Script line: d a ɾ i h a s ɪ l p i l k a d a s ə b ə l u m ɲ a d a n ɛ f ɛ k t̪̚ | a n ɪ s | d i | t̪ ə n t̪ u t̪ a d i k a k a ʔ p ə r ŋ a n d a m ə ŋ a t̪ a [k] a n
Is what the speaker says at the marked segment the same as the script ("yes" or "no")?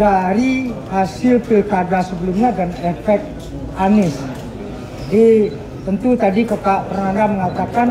yes